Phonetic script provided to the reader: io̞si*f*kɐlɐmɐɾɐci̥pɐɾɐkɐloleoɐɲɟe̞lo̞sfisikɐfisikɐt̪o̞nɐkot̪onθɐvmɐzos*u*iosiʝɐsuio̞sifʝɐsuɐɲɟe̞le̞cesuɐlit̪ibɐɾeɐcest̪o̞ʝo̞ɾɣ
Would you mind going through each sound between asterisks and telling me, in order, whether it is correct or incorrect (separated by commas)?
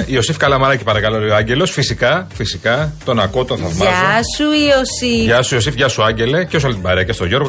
correct, correct